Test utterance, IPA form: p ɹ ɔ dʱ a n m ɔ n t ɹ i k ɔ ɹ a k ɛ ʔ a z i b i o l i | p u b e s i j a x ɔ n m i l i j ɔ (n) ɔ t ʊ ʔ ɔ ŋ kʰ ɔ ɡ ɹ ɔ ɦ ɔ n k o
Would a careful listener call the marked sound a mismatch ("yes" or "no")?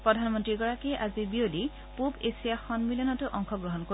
no